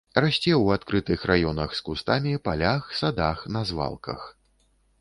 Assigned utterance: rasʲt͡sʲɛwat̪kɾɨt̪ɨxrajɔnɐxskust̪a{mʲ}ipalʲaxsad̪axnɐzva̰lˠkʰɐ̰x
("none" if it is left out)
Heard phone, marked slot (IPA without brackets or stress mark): mʲ